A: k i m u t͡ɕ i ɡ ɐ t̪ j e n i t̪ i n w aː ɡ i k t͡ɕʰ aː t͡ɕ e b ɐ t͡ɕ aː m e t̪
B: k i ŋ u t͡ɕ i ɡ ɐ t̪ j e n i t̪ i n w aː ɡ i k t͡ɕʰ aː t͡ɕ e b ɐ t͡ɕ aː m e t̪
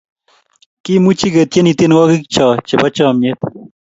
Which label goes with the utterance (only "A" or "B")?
A